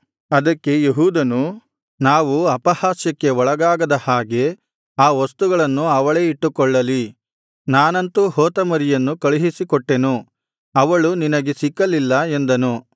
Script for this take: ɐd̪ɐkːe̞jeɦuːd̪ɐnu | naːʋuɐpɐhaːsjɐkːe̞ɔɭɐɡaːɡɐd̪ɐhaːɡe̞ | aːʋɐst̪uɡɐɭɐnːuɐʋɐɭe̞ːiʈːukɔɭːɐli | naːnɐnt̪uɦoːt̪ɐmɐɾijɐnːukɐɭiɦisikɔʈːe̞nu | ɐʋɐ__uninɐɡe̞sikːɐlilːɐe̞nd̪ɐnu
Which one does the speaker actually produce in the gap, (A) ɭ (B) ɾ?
A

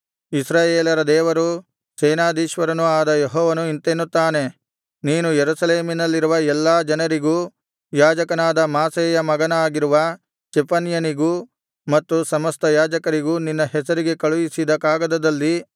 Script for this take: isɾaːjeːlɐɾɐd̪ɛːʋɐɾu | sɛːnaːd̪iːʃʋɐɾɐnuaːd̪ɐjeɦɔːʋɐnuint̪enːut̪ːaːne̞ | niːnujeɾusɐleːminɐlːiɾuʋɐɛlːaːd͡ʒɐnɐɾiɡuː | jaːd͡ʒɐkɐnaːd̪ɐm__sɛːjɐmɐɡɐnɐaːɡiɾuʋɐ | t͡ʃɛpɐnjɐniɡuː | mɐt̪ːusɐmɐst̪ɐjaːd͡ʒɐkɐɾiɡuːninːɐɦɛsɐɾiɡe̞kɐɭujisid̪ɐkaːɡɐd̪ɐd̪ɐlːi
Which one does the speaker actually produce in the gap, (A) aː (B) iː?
A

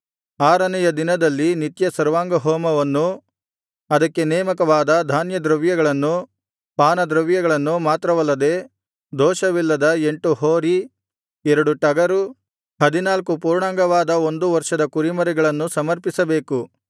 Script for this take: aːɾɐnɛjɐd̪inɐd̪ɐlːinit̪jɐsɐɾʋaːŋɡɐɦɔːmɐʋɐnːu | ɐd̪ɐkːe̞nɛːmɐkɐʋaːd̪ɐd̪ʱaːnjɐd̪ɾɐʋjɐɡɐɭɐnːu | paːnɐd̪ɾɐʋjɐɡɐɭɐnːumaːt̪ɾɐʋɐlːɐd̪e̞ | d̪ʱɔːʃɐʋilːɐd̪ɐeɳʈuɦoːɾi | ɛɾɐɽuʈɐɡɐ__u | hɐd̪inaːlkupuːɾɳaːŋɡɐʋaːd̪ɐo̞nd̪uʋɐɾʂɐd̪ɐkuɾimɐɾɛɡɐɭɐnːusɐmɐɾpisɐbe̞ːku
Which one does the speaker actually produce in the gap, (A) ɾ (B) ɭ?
A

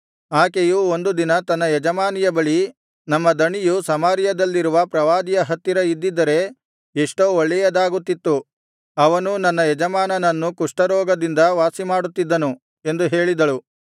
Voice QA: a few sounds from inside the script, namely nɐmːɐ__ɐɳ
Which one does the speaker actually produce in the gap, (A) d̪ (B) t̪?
A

